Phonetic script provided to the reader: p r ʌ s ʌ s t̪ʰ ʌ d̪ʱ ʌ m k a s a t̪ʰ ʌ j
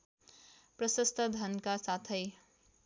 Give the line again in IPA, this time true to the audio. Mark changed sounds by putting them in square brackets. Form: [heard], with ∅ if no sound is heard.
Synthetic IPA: p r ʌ s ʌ s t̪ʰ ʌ d̪ʱ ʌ [n] k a s a t̪ʰ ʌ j